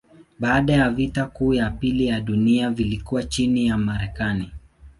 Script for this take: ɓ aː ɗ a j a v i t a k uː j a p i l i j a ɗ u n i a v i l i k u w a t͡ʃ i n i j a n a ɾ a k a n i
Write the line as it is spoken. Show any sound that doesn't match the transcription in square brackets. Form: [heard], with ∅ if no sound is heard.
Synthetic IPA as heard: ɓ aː ɗ a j a v i t a k uː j a p i l i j a ɗ u n i a v i l i k u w a t͡ʃ i n i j a [m] a ɾ [ɛ] k a n i